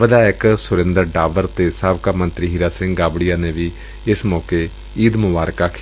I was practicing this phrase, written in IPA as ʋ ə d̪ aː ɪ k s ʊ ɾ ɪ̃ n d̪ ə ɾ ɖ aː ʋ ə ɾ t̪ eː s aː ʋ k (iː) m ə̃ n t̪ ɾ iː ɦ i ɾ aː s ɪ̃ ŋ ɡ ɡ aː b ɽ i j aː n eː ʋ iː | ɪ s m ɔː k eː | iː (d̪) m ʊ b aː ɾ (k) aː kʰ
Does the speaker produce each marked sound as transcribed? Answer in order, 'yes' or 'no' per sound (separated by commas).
no, yes, yes